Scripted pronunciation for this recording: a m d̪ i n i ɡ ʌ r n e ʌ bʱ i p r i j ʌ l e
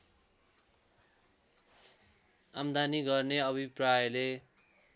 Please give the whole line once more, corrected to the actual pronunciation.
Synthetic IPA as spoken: a m d̪ a n i ɡ ʌ r n e ʌ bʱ i p r a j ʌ l e